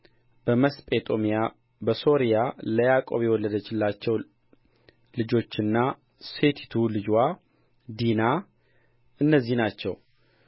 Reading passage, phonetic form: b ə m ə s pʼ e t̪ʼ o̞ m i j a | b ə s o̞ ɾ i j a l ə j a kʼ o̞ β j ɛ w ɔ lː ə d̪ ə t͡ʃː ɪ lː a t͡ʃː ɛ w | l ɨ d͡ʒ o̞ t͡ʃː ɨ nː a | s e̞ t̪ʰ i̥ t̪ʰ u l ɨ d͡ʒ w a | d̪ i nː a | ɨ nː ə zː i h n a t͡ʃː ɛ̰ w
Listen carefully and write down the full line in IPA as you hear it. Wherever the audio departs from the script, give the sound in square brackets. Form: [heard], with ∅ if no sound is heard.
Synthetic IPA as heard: b ə m ə s pʼ e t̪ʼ o̞ m i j a | b ə s o̞ ɾ i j a l ə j a kʼ o̞ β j ɛ w ɔ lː ə d̪ ə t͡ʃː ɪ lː a t͡ʃː ɛ w | l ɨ d͡ʒ o̞ t͡ʃː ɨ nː a | s e̞ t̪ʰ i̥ t̪ʰ u l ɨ d͡ʒ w a | d̪ i [n] a | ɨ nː ə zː i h n a t͡ʃː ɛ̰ w